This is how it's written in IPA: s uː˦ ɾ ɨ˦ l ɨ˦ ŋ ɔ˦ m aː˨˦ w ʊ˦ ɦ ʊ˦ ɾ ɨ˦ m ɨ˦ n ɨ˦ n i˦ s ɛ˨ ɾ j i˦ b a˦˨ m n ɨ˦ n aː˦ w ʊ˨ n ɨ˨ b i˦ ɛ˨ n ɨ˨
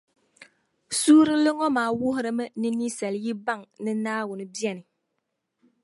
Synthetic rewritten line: s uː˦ ɾ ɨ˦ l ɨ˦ ŋ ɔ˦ m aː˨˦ w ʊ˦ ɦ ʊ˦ ɾ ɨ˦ m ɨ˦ n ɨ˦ n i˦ s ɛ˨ l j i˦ b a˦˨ ŋ n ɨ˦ n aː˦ w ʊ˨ n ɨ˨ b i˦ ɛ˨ n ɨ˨